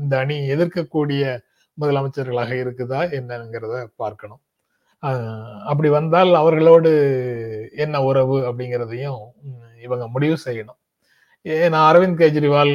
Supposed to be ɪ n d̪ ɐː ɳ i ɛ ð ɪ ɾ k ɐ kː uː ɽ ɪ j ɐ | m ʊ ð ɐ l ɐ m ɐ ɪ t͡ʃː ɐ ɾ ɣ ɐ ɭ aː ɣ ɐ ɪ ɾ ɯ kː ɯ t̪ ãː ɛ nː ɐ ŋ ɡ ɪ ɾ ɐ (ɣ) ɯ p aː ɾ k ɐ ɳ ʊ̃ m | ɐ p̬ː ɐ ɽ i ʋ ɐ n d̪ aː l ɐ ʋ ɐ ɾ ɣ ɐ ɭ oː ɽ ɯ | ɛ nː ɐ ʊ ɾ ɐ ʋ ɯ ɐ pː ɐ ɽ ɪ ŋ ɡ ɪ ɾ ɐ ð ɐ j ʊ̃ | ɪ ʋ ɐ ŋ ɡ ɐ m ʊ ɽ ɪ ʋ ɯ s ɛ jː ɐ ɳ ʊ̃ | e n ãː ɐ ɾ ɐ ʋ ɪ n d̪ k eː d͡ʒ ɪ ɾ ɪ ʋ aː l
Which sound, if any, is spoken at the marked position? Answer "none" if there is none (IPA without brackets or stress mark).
ð